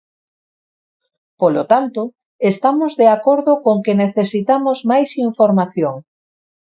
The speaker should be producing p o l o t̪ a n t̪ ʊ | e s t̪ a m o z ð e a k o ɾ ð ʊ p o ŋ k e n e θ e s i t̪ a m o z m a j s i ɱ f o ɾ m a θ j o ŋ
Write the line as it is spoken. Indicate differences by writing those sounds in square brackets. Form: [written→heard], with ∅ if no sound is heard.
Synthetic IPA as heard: p o l o t̪ a n t̪ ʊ | e s t̪ a m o z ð e a k o ɾ ð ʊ [p→k] o ŋ k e n e θ e s i t̪ a m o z m a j s i ɱ f o ɾ m a θ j o ŋ